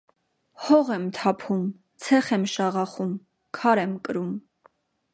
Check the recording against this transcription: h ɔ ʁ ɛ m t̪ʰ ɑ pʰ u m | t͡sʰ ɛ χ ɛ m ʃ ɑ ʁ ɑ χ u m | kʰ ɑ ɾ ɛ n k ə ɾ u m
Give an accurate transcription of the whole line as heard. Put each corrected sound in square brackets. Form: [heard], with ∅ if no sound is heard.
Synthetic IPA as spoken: h ɔ ʁ ɛ m t̪ʰ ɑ pʰ u m | t͡sʰ ɛ χ ɛ m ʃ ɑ ʁ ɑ χ u m | kʰ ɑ ɾ ɛ [m] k ə ɾ u m